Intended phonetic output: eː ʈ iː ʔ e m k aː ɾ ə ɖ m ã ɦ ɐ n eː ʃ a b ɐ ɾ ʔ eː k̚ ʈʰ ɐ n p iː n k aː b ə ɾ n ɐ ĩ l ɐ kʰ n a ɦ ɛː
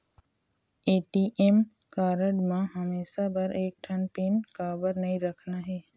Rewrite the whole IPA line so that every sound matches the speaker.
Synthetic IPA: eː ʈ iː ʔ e m k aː ɾ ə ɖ m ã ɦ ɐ m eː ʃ a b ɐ ɾ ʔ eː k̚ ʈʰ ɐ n p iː n k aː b ə ɾ n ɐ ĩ ɾ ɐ kʰ n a ɦ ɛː